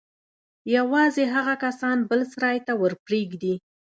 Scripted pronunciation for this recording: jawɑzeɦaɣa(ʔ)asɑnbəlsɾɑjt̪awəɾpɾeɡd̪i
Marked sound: incorrect: k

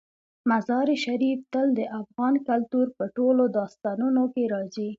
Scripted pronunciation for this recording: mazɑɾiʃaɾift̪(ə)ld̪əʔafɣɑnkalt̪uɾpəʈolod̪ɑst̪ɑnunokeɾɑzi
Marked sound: correct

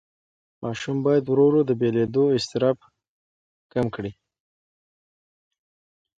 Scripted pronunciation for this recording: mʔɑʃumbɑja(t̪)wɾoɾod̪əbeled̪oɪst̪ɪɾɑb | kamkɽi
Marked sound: incorrect: d̪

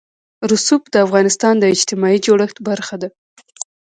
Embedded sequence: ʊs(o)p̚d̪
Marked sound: incorrect: u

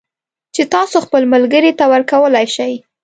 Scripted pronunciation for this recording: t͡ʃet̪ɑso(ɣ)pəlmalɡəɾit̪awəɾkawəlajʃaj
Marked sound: incorrect: x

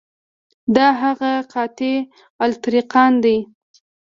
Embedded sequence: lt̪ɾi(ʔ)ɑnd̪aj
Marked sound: incorrect: q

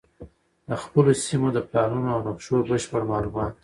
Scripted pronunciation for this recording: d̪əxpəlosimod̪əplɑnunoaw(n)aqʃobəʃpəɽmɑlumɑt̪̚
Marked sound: correct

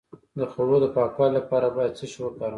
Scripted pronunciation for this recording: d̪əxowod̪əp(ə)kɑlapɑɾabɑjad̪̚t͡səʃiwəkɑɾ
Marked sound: incorrect: ɑ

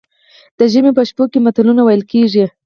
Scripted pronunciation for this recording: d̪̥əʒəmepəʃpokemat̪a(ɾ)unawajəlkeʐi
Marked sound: incorrect: l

